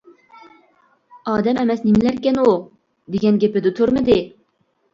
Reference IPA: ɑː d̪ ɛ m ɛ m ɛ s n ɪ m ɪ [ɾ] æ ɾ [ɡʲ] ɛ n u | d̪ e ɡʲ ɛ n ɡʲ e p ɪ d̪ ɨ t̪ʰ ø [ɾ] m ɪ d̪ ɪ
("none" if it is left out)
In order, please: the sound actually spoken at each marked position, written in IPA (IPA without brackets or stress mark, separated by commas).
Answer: l, kʲ, ɾ